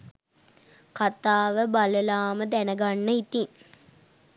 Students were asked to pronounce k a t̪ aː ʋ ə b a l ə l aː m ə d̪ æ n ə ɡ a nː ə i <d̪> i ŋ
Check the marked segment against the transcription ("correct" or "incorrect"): incorrect